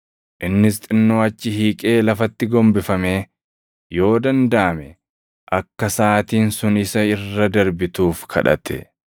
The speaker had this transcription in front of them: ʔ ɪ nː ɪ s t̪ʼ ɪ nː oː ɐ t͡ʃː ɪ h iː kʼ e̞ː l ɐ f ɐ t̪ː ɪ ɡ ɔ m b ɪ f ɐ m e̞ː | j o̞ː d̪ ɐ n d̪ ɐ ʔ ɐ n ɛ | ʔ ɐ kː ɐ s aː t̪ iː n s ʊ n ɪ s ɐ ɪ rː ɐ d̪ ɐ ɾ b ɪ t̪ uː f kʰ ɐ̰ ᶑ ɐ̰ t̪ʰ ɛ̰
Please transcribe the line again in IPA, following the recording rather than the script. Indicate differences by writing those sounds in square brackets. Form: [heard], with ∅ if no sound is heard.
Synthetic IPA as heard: ʔ ɪ nː ɪ s t̪ʼ ɪ nː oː ɐ t͡ʃː ɪ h iː kʼ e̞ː l ɐ f ɐ t̪ː ɪ ɡ ɔ m b ɪ f ɐ m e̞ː | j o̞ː d̪ ɐ n d̪ ɐ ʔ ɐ [m] ɛ | ʔ ɐ kː ɐ s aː t̪ iː n s ʊ n ɪ s ɐ ɪ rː ɐ d̪ ɐ ɾ b ɪ t̪ uː f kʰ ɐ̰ ᶑ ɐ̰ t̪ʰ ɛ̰